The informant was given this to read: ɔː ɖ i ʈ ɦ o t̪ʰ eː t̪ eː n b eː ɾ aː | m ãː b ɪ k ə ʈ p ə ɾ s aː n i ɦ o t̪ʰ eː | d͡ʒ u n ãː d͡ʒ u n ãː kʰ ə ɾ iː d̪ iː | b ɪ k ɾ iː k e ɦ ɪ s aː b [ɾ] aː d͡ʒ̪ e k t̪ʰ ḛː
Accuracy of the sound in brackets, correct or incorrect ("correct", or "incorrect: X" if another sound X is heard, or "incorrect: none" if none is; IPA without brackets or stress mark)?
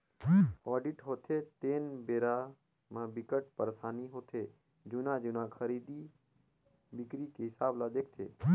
incorrect: l